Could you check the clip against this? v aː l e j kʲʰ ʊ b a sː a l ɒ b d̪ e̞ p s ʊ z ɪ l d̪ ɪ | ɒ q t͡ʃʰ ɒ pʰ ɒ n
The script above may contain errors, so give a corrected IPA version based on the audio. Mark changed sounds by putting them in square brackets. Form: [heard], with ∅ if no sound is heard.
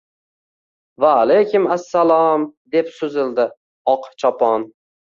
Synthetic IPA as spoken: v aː l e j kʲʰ ʊ [m] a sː a l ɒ [m] d̪ e̞ p s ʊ z ɪ l d̪ ɪ | ɒ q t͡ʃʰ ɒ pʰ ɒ n